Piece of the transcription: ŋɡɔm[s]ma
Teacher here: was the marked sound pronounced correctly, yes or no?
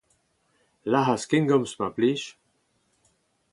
yes